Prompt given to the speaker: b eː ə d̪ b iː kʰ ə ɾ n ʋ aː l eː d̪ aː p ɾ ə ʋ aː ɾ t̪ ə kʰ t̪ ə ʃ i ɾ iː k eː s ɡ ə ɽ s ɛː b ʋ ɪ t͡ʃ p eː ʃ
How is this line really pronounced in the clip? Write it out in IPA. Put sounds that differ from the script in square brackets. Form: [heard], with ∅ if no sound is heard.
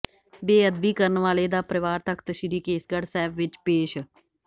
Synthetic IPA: b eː ə d̪ b iː [k] ə ɾ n ʋ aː l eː d̪ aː p ɾ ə ʋ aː ɾ t̪ ə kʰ t̪ ə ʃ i ɾ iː k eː s ɡ ə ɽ s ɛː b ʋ ɪ t͡ʃ p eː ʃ